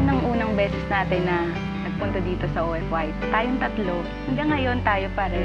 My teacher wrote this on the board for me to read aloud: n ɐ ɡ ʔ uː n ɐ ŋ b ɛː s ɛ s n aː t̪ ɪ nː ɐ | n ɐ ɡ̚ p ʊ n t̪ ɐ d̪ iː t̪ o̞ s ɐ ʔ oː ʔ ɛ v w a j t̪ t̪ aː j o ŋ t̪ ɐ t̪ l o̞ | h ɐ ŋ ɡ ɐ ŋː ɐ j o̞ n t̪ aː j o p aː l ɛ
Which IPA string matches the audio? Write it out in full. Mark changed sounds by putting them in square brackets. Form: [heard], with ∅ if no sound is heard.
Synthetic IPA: n ɐ [ŋ] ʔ uː n ɐ ŋ b ɛː s ɛ s n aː t̪ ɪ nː ɐ | n ɐ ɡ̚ p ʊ n t̪ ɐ d̪ iː t̪ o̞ s ɐ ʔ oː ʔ ɛ [f] w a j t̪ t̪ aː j o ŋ t̪ ɐ t̪ l o̞ | h ɐ ŋ ɡ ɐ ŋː ɐ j o̞ n t̪ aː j o p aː [ɾ] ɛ